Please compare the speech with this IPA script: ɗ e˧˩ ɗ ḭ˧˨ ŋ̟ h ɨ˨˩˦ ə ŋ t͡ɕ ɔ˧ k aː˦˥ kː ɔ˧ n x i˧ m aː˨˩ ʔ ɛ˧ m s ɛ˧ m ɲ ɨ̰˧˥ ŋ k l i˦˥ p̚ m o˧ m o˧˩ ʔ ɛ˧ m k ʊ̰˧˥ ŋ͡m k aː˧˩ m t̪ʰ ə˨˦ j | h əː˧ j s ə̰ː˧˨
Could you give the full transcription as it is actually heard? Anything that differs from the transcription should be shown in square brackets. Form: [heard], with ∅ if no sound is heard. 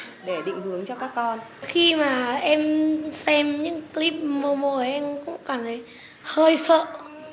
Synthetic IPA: ɗ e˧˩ ɗ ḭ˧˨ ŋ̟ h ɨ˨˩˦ ə ŋ t͡ɕ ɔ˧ k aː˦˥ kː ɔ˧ n x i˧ m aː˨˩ ʔ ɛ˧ m s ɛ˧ m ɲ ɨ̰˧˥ ŋ k l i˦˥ p̚ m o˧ m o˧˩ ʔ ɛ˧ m k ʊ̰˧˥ ŋ͡m k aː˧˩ m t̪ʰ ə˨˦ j | h əː˧ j s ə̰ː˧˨